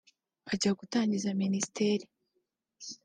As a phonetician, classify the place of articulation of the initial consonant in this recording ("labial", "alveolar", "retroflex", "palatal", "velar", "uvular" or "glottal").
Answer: palatal